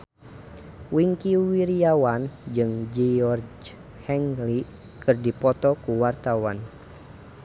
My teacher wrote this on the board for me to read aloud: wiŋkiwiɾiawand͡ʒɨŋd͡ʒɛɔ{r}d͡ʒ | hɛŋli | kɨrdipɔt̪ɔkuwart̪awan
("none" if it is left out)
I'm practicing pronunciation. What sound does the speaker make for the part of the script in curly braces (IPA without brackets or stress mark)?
r